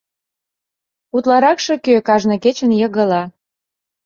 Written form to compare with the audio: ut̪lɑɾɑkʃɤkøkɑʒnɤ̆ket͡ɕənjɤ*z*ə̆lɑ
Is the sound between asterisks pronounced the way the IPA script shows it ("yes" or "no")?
no